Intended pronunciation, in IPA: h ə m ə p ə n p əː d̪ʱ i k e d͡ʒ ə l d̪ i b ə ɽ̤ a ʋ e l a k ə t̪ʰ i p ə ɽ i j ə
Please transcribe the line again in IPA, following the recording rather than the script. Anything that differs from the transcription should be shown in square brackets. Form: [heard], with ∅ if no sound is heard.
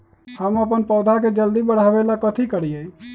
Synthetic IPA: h ə m ə p ə n p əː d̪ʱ [a] k e d͡ʒ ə l d̪ i b ə ɽ̤ a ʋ e l a k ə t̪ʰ i [k] ə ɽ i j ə